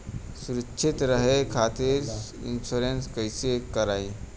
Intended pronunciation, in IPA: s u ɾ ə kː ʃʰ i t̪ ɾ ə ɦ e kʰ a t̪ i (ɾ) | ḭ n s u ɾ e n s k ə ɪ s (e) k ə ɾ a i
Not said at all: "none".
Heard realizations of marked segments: ɾ, e

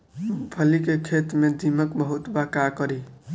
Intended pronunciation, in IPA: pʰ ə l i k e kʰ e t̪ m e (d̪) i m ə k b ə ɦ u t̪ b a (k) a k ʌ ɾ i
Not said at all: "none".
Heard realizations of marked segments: d̪, k

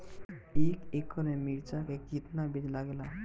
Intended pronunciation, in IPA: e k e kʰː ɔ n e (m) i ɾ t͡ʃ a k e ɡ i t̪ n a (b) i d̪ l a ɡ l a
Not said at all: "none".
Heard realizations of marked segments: m, b

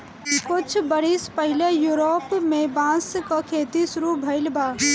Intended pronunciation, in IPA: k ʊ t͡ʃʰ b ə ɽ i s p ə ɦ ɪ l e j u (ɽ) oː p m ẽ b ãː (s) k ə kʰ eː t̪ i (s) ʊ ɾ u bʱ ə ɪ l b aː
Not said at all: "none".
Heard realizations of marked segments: ɾ, s, s

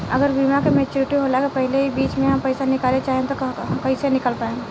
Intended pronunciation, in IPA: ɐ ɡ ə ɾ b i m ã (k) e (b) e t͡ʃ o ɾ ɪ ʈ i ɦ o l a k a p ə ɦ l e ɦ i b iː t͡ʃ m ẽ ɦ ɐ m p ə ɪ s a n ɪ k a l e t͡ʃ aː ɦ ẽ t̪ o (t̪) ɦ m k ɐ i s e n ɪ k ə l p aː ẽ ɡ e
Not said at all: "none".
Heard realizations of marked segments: k, m, none

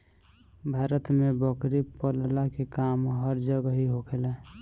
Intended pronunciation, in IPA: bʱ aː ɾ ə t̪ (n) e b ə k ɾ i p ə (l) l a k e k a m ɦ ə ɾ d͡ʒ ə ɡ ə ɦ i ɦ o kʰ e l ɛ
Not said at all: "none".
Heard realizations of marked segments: m, l

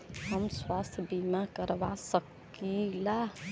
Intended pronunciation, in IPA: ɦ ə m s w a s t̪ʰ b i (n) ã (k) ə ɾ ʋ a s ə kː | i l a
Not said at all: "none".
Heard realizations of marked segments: m, k

